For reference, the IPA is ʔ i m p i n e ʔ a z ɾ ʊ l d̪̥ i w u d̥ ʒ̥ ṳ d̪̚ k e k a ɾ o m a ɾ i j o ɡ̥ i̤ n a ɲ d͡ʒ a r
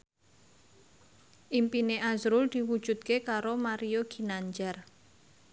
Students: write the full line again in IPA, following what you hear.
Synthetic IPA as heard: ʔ i m p i n e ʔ a z ɾ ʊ l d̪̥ i w u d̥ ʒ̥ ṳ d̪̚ k e k a ɾ o m a ɾ i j o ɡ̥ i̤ n a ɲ d͡ʒ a r